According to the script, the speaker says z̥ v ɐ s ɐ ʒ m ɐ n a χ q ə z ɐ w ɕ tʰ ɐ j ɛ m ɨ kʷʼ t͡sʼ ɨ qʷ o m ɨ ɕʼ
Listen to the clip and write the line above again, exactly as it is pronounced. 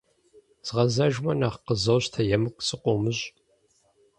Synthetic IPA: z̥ ʁ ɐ z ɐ ʒ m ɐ n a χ q ə z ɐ w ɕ tʰ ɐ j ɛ m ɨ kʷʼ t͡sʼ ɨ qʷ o m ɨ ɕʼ

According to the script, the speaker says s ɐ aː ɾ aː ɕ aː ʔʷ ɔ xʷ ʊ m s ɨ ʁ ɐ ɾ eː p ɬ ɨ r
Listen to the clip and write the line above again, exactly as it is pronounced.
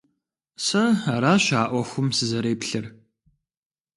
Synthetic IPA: s ɐ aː ɾ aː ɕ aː ʔʷ ɔ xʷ ʊ m s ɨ z ɐ ɾ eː p ɬ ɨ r

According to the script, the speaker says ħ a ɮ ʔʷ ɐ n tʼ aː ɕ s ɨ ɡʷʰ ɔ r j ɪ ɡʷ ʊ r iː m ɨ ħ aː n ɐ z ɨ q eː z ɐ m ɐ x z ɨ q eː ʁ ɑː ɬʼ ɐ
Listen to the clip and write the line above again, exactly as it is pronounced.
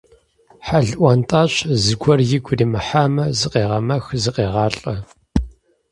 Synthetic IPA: ħ a ɮ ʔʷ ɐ n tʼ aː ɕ z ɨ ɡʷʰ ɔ r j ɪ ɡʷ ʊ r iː m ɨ ħ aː m ɐ z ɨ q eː ʁ ɐ m ɐ x z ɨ q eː ʁ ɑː ɬʼ ɐ

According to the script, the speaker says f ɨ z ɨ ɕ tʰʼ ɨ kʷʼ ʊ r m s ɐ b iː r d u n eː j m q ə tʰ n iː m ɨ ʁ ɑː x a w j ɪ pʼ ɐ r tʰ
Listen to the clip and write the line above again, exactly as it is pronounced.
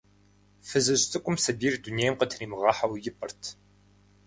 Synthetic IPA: f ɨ z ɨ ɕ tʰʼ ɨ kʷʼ ʊ m s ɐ b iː r d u n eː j m q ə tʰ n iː m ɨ ʁ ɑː ħ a w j ɪ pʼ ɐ r tʰ

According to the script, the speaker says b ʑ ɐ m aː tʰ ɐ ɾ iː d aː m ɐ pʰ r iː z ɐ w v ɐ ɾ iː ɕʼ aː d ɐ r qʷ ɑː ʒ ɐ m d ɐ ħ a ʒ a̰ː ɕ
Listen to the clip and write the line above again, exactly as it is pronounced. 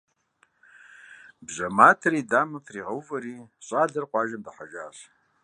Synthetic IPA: b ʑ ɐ m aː tʰ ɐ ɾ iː d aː m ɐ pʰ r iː ʁ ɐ w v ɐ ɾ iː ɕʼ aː d ɐ r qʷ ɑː ʒ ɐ m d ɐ ħ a ʒ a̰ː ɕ

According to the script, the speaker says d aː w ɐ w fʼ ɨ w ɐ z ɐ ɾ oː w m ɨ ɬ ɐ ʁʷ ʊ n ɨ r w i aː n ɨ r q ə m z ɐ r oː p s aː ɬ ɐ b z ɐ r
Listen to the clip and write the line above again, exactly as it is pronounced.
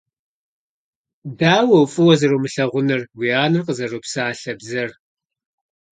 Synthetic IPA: d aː w ɐ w fʼ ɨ w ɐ z ɐ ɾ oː m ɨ ɬ ɐ ʁʷ ʊ n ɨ r w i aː n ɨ r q ə z ɐ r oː p s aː ɬ ɐ b z ɐ r

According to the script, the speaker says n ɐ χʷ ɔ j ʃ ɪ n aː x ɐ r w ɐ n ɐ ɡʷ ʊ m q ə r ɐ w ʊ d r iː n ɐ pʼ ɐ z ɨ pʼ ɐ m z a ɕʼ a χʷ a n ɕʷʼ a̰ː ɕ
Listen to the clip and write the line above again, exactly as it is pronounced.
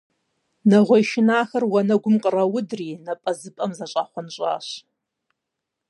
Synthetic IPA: n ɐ ʁʷ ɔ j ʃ ɪ n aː x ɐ r w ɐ n ɐ ɡʷ ʊ m qʼ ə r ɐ w ʊ d r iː n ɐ pʼ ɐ z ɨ pʼ ɐ m z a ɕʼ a χʷ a n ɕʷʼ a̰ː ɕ

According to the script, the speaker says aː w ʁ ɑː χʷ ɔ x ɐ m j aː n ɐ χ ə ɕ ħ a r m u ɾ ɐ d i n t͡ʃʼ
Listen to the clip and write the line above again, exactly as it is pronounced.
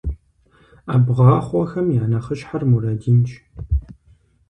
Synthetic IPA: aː b ʁ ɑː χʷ ɔ x ɐ m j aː n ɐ χ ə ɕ ħ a r m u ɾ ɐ d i n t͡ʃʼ

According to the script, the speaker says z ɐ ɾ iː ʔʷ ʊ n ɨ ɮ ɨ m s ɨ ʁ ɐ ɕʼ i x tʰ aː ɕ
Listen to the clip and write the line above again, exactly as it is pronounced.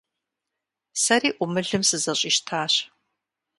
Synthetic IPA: s ɐ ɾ iː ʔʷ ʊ m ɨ ɮ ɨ m s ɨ z ɐ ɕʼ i ʃ tʰ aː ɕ

